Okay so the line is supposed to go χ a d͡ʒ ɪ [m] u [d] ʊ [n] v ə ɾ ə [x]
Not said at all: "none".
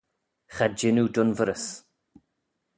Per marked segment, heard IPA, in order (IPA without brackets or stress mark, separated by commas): n, d, n, s